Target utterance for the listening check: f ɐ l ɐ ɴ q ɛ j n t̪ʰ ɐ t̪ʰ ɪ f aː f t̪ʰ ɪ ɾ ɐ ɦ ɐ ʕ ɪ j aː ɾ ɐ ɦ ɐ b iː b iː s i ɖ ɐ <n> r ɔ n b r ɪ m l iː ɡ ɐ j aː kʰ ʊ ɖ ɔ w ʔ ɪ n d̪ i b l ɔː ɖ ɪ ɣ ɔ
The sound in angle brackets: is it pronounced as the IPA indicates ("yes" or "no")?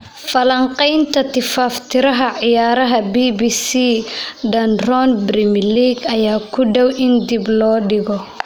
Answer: yes